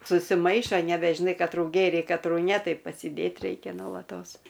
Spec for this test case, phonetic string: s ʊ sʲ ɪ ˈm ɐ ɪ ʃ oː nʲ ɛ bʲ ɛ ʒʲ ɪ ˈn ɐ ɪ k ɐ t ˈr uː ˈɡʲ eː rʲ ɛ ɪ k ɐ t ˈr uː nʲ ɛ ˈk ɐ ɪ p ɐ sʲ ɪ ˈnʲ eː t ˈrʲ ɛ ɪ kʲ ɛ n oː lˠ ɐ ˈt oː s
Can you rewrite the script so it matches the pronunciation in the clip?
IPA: s ʊ sʲ ɪ ˈm ɐ ɪ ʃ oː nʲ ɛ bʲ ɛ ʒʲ ɪ ˈn ɐ ɪ k ɐ t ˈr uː ˈɡʲ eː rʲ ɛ ɪ k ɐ t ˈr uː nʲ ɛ ˈt ɐ ɪ p ɐ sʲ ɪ ˈdʲ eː t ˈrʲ ɛ ɪ kʲ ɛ n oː lˠ ɐ ˈt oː s